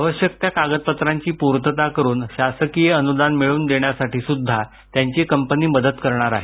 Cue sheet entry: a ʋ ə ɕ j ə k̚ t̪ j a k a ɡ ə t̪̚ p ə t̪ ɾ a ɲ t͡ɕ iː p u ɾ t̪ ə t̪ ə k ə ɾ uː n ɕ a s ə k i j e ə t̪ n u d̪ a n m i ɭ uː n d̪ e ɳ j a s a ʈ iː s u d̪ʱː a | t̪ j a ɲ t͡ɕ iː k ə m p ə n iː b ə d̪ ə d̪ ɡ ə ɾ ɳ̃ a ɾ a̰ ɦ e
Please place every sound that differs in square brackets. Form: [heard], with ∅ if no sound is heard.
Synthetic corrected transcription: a ʋ ə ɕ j ə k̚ t̪ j a k a ɡ ə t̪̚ p ə t̪ ɾ a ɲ t͡ɕ iː p u ɾ t̪ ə t̪ [a] k ə ɾ uː n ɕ a s ə k i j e ə [∅] n u d̪ a n m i ɭ uː n d̪ e ɳ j a s a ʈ iː s u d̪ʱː a | t̪ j a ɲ t͡ɕ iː k ə m p ə n iː [m] ə d̪ ə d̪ [k] ə ɾ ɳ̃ a ɾ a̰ ɦ e